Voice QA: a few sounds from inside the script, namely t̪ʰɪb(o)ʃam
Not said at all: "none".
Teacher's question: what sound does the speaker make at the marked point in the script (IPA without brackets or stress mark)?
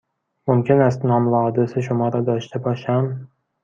ɒ